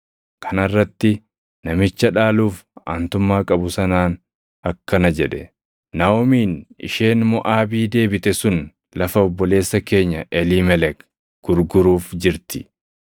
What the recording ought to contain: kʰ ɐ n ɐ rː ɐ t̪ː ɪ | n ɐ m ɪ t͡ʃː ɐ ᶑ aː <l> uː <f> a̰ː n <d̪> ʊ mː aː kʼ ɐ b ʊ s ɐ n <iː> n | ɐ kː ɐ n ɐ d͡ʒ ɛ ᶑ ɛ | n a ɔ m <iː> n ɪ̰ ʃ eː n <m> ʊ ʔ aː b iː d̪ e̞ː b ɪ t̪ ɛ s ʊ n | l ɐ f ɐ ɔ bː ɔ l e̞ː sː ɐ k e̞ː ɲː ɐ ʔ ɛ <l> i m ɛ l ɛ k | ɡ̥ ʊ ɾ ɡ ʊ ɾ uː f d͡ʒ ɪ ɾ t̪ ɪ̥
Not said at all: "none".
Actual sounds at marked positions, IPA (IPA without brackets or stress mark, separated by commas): l, f, t̪, aː, iː, m, l